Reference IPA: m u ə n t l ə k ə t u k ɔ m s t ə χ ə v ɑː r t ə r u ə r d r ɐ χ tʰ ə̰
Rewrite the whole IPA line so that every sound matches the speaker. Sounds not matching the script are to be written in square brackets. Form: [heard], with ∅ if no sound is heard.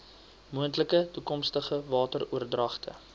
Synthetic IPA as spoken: m u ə n t l ə k ə t u k ɔ m s t ə χ ə v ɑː [∅] t ə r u ə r d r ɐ χ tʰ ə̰